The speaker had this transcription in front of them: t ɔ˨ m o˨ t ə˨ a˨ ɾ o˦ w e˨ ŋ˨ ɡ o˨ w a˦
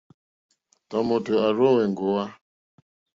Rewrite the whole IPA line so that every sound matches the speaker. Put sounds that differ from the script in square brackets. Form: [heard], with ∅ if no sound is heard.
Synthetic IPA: t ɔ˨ m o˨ t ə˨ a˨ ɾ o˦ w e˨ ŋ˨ ɡ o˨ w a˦